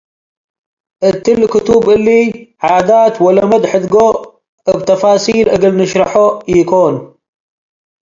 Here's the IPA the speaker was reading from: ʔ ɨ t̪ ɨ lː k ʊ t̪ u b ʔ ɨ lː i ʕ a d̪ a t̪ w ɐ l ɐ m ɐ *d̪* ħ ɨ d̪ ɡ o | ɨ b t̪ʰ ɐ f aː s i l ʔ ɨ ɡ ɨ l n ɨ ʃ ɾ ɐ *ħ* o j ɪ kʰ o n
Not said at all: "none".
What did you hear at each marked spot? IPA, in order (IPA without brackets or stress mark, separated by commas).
d̪, ħ